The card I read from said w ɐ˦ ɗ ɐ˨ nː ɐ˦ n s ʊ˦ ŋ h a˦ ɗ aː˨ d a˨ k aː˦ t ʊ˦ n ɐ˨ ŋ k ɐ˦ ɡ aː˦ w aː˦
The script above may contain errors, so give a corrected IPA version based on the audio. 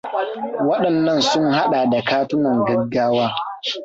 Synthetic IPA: w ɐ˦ ɗ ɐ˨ nː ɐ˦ n s ʊ˦ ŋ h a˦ ɗ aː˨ d a˨ k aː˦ t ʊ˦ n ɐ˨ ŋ ɡ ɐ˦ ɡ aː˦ w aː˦